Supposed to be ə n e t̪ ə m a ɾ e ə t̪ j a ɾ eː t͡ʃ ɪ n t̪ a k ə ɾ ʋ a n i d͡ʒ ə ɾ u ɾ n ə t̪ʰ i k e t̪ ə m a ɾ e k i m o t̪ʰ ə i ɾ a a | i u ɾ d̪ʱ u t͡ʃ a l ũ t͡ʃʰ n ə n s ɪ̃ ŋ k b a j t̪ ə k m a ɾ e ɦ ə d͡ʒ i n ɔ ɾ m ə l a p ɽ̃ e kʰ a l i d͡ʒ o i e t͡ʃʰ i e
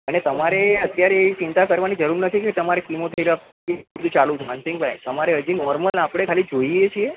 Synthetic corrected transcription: ə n e t̪ ə m a ɾ e ə t̪ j a ɾ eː t͡ʃ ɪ n t̪ a k ə ɾ ʋ a n i d͡ʒ ə ɾ u ɾ n ə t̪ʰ i k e t̪ ə m a ɾ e k i m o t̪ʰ ə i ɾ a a | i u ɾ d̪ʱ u t͡ʃ a l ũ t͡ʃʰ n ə n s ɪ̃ ŋ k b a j t̪ ə m a ɾ e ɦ ə d͡ʒ i n ɔ ɾ m ə l a p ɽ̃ e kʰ a l i d͡ʒ o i e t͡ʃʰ i e

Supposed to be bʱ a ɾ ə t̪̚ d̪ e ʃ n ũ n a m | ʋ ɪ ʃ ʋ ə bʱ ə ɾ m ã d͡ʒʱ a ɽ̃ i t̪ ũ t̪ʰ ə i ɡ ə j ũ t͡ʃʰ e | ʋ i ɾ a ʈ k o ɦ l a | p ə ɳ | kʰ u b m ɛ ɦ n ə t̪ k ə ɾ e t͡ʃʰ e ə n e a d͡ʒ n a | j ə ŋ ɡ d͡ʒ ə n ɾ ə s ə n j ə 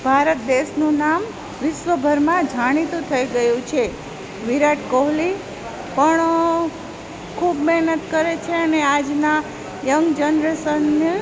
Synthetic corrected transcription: bʱ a ɾ ə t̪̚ d̪ e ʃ n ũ n a m | ʋ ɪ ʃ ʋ ə bʱ ə ɾ m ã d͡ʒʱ a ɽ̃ i t̪ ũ t̪ʰ ə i ɡ ə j ũ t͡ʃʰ e | ʋ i ɾ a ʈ k o ɦ l i | p ə ɳ | kʰ u b m ɛ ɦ n ə t̪ k ə ɾ e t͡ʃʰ e ə n e a d͡ʒ n a | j ə ŋ ɡ d͡ʒ ə n ɾ ə s ə n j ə

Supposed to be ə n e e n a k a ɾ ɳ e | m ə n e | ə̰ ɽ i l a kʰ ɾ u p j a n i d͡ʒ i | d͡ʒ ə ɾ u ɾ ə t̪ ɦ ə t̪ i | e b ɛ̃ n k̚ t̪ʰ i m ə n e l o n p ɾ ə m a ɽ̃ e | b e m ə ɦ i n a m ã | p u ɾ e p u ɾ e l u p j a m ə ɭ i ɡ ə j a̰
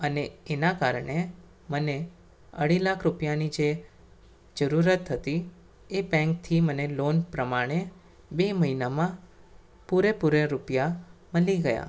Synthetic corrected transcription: ə n e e n a k a ɾ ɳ e | m ə n e | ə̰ ɽ i l a kʰ ɾ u p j a n i d͡ʒ e | d͡ʒ ə ɾ u ɾ ə t̪ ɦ ə t̪ i | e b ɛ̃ ŋ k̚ t̪ʰ i m ə n e l o n p ɾ ə m a ɽ̃ e | b e m ə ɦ i n a m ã | p u ɾ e p u ɾ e ɾ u p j a m ə l i ɡ ə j a̰

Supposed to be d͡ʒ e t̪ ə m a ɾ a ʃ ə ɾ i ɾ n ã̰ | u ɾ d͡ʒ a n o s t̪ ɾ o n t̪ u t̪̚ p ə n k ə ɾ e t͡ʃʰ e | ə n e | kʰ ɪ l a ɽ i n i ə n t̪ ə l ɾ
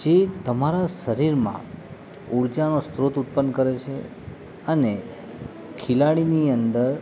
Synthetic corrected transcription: d͡ʒ e t̪ ə m a ɾ a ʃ ə ɾ i ɾ m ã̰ | u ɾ d͡ʒ a n o s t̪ ɾ o t̪ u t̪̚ p ə n k ə ɾ e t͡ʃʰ e | ə n e | kʰ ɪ l a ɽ i n i ə n d̪ ə ɾ

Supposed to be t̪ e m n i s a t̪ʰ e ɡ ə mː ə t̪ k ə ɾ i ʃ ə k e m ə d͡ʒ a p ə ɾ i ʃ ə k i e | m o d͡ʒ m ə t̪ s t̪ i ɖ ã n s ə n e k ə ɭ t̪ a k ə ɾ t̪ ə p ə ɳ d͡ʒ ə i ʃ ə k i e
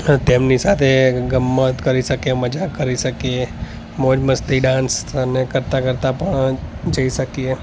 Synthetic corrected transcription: t̪ e m n i s a t̪ʰ e ɡ ə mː ə t̪ k ə ɾ i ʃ ə k e m ə d͡ʒ a k ə ɾ i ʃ ə k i e | m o d͡ʒ m ə s t̪ i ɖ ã n s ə n e k ə ɾ t̪ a k ə ɾ t̪ a p ə ɳ d͡ʒ ə i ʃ ə k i e

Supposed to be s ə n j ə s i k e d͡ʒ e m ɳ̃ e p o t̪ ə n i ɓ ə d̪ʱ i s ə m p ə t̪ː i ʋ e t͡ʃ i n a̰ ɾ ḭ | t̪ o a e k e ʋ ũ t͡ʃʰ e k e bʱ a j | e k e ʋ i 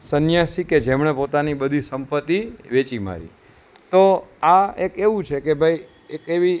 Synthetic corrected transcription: s ə n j a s i k e d͡ʒ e m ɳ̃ e p o t̪ a n i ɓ ə d̪ʱ i s ə m p ə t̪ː i ʋ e t͡ʃ i m a̰ ɾ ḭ | t̪ o a e k e ʋ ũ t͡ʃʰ e k e bʱ a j | e k e ʋ i

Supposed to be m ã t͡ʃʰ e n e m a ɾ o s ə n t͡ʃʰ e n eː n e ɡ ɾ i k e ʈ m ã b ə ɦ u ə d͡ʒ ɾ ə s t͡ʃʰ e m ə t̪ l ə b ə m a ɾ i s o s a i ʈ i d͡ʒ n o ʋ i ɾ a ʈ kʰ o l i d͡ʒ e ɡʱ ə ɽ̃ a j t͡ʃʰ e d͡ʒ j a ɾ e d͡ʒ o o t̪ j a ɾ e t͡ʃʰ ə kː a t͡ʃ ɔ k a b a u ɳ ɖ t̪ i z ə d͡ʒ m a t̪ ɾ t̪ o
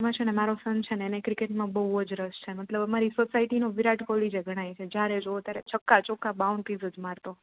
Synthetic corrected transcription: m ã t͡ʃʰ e n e m a ɾ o s ə n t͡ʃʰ e n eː n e k ɾ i k e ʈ m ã b ə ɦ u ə d͡ʒ ɾ ə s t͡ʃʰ e m ə t̪ l ə b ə m a ɾ i s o s a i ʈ i n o ʋ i ɾ a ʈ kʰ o l i d͡ʒ e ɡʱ ə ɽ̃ a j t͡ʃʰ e d͡ʒ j a ɾ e d͡ʒ o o t̪ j a ɾ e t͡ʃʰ ə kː a t͡ʃ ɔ k a b a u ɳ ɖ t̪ i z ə d͡ʒ m a ɾ t̪ o

